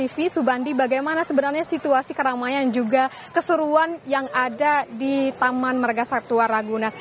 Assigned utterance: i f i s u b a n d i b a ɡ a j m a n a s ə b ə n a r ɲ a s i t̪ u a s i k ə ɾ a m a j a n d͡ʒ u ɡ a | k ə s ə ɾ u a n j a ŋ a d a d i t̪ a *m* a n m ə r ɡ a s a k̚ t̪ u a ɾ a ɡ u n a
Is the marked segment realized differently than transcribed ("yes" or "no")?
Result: no